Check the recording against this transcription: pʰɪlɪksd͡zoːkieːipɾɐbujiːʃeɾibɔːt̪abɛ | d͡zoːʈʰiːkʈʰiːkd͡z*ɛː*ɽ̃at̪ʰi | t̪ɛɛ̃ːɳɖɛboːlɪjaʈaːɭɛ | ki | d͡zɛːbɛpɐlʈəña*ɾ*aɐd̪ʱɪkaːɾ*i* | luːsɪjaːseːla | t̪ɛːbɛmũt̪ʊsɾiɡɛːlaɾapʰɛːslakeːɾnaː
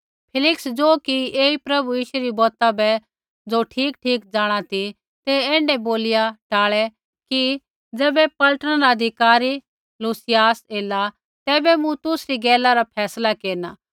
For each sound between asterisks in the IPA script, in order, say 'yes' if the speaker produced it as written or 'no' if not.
no, yes, yes

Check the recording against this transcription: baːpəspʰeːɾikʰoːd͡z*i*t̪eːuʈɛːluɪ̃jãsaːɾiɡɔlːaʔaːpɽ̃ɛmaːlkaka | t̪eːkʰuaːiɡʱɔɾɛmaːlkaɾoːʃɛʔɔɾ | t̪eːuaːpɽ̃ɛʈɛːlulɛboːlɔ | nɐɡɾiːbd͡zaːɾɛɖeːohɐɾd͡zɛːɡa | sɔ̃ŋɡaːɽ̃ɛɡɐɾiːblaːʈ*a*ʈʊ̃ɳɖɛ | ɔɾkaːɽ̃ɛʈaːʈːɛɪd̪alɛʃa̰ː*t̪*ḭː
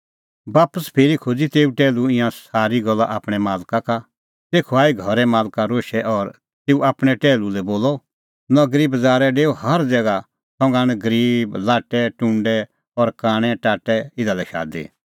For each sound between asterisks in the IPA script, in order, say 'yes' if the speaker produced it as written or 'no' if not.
yes, no, no

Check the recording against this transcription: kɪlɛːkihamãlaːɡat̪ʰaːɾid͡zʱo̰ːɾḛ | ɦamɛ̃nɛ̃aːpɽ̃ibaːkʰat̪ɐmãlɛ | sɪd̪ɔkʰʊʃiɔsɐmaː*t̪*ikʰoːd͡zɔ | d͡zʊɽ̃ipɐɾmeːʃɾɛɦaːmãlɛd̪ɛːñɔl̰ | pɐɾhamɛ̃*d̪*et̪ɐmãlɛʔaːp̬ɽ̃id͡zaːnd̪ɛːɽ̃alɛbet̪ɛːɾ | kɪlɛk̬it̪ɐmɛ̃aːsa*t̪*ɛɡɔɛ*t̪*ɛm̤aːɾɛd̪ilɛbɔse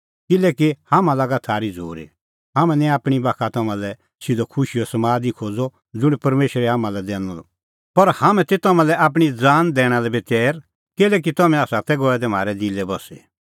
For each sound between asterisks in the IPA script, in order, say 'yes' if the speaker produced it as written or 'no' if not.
no, no, yes, no

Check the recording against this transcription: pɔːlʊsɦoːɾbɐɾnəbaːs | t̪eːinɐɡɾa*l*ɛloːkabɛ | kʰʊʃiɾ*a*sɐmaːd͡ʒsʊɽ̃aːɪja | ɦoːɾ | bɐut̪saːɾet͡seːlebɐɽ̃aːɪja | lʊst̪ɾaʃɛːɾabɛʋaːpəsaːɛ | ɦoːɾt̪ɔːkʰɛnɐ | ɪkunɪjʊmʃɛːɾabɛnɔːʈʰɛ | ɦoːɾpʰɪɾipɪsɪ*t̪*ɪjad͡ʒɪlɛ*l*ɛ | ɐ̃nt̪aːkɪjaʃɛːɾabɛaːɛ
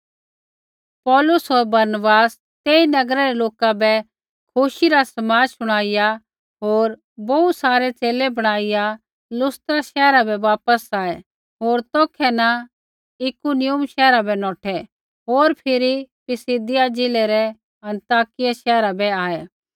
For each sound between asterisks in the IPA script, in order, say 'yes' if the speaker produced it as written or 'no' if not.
no, yes, no, no

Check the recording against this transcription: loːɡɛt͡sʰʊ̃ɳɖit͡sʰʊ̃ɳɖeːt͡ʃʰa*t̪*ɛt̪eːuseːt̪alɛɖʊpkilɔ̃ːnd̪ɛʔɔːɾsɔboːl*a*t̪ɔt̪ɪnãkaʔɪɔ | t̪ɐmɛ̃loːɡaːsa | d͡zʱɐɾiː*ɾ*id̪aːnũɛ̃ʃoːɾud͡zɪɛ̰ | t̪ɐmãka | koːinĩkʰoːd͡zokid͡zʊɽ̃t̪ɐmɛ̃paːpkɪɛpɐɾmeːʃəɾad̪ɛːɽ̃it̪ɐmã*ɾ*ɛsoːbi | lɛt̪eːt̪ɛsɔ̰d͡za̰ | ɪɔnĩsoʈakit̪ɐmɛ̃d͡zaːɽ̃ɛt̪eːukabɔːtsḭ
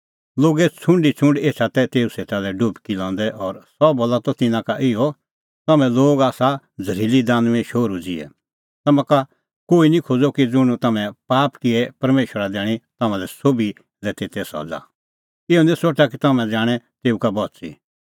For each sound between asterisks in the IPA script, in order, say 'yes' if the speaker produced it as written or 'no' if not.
yes, yes, no, no

